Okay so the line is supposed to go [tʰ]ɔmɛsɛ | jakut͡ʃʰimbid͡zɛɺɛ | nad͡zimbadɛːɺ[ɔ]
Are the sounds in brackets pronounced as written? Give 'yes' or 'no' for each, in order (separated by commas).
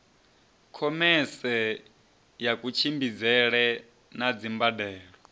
no, yes